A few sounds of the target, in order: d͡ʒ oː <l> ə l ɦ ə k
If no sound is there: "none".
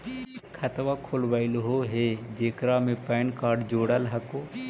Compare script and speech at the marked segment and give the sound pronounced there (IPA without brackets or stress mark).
ɽ